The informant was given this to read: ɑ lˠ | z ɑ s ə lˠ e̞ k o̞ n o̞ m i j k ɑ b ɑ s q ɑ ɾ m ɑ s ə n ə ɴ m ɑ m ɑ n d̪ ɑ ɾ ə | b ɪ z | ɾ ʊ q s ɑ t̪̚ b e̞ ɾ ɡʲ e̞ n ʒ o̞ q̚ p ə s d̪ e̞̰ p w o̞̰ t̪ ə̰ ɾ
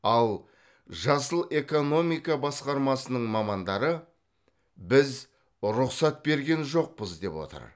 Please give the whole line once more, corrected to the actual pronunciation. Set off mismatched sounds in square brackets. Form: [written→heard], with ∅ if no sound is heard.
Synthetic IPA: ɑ lˠ | [z→ʒ] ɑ s ə lˠ e̞ k o̞ n o̞ m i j k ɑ b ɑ s q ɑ ɾ m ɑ s ə n ə ɴ m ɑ m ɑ n d̪ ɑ ɾ ə | b ɪ z | ɾ ʊ q s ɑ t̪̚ b e̞ ɾ ɡʲ e̞ n ʒ o̞ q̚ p ə [s→z] d̪ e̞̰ p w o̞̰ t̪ ə̰ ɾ